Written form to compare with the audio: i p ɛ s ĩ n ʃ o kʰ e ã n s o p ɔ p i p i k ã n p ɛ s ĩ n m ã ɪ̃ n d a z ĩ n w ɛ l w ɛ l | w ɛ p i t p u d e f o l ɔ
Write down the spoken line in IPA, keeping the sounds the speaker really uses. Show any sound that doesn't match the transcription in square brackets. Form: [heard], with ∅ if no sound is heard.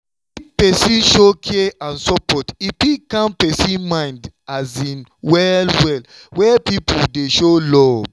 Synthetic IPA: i p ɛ s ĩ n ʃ o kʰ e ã n s [ɔ] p ɔ [t] i p i k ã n p ɛ s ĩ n m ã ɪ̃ n d a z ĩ n w ɛ l w ɛ l | w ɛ p i [∅] p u d e [ʃ] o l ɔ